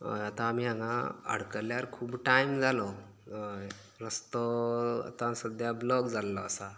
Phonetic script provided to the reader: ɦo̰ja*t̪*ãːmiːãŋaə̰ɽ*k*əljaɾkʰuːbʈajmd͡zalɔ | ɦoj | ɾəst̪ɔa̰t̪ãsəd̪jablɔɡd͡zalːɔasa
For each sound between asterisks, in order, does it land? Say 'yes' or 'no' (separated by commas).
yes, yes